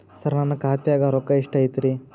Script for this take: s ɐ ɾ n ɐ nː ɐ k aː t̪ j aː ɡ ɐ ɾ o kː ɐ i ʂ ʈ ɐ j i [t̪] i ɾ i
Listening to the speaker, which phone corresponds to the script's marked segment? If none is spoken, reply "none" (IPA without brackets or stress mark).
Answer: t̪